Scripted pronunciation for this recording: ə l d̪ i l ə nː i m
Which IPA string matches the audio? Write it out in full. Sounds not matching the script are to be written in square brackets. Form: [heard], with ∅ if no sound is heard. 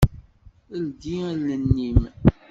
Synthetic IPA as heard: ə l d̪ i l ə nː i m